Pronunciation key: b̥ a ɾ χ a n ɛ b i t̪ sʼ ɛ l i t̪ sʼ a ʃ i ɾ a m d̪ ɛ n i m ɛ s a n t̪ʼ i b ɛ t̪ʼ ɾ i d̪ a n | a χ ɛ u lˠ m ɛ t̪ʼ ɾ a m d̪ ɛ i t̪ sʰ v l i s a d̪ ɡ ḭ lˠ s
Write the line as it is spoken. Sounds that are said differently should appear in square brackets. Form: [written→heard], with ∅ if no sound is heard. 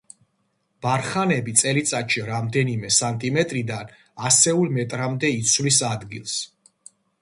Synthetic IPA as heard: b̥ a ɾ χ a n ɛ b i t̪ sʼ ɛ l i t̪ sʼ a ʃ i ɾ a m d̪ ɛ n i m ɛ s a n t̪ʼ i [b→m] ɛ t̪ʼ ɾ i d̪ a n | a [χ→s] ɛ u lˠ m ɛ t̪ʼ ɾ a m d̪ ɛ i t̪ sʰ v l i s a d̪ ɡ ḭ lˠ s